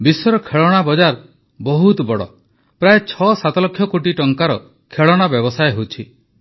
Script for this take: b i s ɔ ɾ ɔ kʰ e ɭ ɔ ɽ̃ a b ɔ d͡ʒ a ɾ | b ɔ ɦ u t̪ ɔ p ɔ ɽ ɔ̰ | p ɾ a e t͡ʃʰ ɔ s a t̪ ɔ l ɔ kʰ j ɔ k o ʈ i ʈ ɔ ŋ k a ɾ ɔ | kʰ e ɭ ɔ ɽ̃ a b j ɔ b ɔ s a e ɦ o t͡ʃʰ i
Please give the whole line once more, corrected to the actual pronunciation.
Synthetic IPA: b i s ɔ ɾ ɔ kʰ e ɭ ɔ ɽ̃ a b ɔ d͡ʒ a ɾ | b ɔ ɦ u t̪ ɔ b ɔ ɽ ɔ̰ | p ɾ a e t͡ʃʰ ɔ s a t̪ ɔ l ɔ kʰ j ɔ k o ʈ i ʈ ɔ ŋ k a ɾ ɔ | kʰ e ɭ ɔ ɽ̃ a b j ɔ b ɔ s a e ɦ o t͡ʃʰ i